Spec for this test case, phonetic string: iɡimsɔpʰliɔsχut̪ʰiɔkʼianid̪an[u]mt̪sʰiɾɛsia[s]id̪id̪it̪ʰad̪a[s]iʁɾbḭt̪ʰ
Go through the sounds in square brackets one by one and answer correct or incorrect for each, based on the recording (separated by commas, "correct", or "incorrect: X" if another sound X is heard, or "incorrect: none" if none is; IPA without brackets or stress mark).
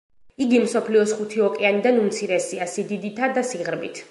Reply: correct, correct, correct